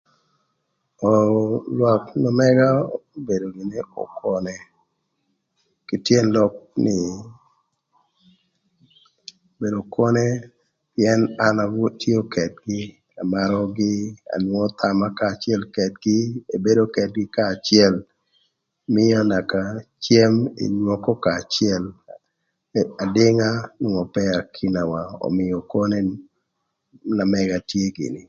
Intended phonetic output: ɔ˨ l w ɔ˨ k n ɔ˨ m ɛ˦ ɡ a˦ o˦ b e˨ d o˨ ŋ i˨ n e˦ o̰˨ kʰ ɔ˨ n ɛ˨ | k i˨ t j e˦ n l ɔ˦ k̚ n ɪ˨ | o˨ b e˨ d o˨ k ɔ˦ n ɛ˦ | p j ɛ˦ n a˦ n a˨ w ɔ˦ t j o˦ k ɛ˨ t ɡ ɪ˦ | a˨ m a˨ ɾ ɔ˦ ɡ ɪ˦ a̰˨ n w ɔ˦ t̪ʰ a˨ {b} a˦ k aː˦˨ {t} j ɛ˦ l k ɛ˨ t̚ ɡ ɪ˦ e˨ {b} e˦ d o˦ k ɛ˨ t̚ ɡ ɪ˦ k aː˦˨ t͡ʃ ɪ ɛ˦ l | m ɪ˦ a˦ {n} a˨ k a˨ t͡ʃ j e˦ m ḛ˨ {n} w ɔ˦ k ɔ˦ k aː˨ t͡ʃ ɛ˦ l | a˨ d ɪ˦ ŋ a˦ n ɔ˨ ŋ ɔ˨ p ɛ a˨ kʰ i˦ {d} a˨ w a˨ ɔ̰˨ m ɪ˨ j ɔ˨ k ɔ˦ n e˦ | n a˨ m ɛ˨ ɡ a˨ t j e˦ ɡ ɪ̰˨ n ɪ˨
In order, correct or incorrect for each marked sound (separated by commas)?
incorrect, incorrect, correct, correct, incorrect, incorrect